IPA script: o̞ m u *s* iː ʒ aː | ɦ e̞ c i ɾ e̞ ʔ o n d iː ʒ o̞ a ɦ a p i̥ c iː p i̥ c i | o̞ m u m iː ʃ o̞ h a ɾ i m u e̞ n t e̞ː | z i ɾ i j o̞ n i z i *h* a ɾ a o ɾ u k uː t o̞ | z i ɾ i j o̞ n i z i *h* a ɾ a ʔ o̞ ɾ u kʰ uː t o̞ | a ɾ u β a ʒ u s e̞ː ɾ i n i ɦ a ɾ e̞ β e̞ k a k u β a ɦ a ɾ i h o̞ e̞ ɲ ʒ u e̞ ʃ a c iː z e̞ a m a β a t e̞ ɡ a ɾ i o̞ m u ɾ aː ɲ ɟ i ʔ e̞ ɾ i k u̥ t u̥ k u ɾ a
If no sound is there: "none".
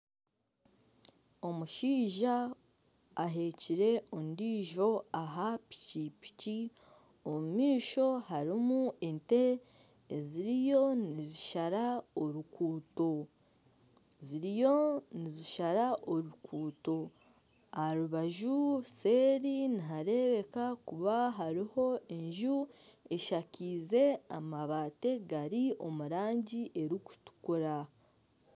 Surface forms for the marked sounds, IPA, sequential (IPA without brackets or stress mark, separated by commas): ʃ, ʃ, ʃ